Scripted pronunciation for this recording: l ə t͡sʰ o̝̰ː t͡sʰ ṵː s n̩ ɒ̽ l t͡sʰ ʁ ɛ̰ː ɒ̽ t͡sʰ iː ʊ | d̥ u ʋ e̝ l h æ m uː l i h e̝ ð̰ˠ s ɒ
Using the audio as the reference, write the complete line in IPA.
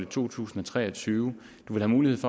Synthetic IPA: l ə t͡sʰ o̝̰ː t͡sʰ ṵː s n̩ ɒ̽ t͡sʰ ʁ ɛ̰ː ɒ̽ t͡sʰ yː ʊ | d̥ u ʋ e̝ l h æ m uː l i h e̝ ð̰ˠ f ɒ

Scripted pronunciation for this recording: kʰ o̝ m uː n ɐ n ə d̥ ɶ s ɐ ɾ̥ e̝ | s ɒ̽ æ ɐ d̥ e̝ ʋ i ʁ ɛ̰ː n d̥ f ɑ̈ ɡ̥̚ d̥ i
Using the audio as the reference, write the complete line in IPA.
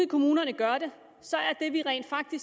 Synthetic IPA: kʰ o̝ m uː n ɐ n ə ɡ̥ ɶ ɐ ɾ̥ e̝ | s ɒ̽ æ ɐ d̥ e̝ ʋ i ʁ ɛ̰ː n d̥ f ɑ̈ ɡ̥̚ d̥ i

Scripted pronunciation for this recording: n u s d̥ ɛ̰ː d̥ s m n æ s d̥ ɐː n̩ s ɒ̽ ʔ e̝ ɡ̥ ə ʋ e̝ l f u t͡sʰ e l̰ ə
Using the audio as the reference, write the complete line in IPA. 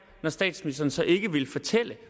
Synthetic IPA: n ɒ s d̥ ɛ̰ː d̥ s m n i s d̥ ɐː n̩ s ɒ̽ ʔ e̝ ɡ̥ ə ʋ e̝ l f ɒ t͡sʰ e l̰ ə

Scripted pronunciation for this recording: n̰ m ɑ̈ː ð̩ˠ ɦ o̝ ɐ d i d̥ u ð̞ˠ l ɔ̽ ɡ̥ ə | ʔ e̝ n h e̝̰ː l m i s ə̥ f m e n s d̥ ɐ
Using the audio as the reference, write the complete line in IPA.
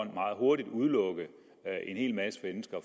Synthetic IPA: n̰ m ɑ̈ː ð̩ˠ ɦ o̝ ɐ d i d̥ u ð̞ˠ l ɔ̽ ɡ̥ ə | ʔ e̝ n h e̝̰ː l m æ s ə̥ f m e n s ɡ̥ ɐ

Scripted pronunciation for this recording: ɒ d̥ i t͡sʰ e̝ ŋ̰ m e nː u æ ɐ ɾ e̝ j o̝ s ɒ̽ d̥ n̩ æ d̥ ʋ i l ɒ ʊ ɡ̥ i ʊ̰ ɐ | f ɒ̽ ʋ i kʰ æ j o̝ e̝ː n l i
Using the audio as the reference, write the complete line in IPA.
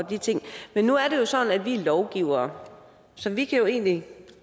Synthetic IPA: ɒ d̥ i t͡sʰ e̝ ŋ̰ m e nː u æ ɐ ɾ e̝ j o̝ s ɒ̽ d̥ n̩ æ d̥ ʋ i l ɒ ʊ ɡ̥ i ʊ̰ ɐ | s ɒ̽ ʋ i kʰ æ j o̝ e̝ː n l i

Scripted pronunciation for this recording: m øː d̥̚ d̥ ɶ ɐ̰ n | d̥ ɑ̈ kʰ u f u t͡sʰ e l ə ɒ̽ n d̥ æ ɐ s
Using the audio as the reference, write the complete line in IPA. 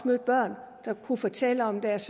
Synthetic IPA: m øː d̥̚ b̥ ɶ ɐ̰ n | d̥ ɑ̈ kʰ u f ɒ t͡sʰ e l ə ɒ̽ m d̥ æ ɐ s

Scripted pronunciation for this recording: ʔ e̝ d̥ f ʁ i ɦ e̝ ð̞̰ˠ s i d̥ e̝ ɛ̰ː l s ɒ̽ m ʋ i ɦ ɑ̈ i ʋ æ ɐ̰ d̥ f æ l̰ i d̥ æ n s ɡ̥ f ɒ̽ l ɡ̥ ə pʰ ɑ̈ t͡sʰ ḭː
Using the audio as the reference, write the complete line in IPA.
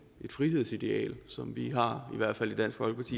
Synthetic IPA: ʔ e̝ d̥ f ʁ i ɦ e̝ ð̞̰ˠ s i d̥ e̝ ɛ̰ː l s ɒ̽ m ʋ i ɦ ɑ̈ i ʋ æ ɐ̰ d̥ f æ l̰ i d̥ æ n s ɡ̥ f ɒ̽ l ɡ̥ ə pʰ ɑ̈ t͡sʰ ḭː

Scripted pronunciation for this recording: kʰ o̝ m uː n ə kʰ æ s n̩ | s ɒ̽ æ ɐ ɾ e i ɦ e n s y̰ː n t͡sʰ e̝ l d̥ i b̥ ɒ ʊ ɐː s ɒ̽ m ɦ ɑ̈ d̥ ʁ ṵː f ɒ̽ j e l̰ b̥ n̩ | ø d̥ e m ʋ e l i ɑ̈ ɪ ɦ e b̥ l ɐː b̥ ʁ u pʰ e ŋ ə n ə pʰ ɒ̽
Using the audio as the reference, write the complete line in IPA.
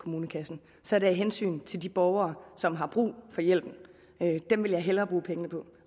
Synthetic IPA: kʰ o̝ m uː n ə kʰ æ s n̩ | s ɒ̽ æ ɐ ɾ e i ɦ e n s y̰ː n t͡sʰ e̝ l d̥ i b̥ ɒ ʊ ɐː s ɒ̽ m ɦ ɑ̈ b̥ ʁ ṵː f ɒ̽ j e l̰ b̥ n̩ | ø d̥ e m ʋ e l j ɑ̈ ɪ ɦ e l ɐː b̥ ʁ uː pʰ e ŋ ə n ə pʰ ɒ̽

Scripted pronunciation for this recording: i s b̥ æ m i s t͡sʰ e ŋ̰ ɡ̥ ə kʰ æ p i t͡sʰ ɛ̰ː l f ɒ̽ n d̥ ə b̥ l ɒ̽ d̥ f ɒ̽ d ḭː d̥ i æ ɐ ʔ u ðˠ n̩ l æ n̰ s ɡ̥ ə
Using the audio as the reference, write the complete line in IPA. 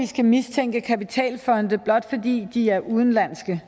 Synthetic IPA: i s ɡ̥ æ m i s t͡sʰ e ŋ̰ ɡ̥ ə kʰ æ p i t͡sʰ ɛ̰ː l f ɒ̽ n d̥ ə b̥ l ɒ̽ d̥ f ɒ̽ d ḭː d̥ i æ ɐ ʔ u ðˠ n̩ l æ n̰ s ɡ̥ ə

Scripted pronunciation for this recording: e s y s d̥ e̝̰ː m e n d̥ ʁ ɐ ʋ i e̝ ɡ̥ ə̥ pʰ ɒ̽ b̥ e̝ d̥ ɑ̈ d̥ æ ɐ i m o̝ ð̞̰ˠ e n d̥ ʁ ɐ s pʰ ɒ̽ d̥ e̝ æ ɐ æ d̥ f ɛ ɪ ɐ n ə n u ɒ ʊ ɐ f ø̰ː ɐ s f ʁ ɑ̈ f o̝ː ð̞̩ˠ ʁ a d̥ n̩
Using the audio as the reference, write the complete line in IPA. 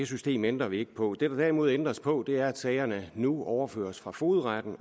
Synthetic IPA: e s y s d̥ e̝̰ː m e n d̥ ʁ ɐ ʋ i e̝ ɡ̥ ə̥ pʰ ɒ̽ d̥ e̝ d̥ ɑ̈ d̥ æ ɐ i m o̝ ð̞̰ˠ e n d̥ ʁ ɐ s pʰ ɒ̽ d̥ e̝ æ ɐ æ d̥ s ɛ ɪ ɐ n ə n u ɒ ʊ ɐ f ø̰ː ɐ s f ʁ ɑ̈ f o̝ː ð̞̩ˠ ʁ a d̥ n̩

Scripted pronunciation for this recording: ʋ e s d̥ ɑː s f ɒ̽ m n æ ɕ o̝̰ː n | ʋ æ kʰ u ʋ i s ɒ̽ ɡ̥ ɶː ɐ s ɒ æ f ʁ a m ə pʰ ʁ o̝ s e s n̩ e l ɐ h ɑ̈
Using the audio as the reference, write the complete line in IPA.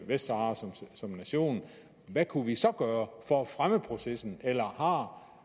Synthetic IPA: ʋ e s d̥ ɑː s s ɒ̽ m n æ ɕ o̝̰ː n | ʋ æ kʰ u ʋ i s ɒ̽ ɡ̥ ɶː ɐ f ɒ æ f ʁ a m ə pʰ ʁ o̝ s e s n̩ e l ɐ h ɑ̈

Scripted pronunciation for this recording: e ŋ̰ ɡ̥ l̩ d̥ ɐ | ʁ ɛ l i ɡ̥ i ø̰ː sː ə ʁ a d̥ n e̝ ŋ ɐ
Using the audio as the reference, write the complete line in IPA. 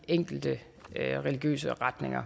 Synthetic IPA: e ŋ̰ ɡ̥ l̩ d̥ ə | ʁ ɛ l i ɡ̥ j ø̰ː s ə ʁ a d̥ n e̝ ŋ ɐ

